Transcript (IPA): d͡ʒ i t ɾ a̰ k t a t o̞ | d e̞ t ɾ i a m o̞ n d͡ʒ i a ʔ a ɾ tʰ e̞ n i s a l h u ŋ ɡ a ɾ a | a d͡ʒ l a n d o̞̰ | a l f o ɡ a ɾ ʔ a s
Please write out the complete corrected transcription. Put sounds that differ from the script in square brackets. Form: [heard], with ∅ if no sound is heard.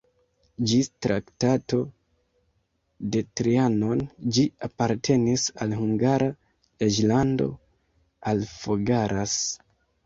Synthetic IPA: d͡ʒ i t ɾ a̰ k t a t o̞ | d e̞ t ɾ i a [n] o̞ n d͡ʒ i a [p] a ɾ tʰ e̞ n i s a l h u ŋ ɡ a ɾ a | [e] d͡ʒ l a n d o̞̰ | a l f o ɡ a ɾ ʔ a s